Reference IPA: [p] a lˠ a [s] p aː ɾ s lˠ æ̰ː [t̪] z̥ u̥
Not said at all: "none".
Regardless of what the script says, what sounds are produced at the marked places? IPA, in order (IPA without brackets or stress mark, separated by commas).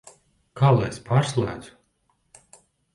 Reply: k, s, d̪